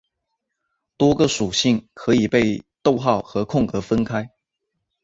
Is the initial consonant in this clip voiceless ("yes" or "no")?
yes